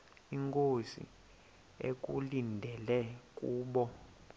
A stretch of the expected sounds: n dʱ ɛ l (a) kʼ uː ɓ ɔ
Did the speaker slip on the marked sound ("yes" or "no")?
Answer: yes